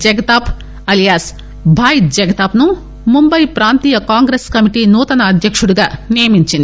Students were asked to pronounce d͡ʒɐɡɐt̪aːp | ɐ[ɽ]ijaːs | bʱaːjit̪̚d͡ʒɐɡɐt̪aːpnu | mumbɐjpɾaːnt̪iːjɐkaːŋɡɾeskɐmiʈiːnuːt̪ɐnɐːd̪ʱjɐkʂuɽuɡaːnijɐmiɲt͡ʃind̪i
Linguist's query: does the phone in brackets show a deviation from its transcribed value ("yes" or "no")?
yes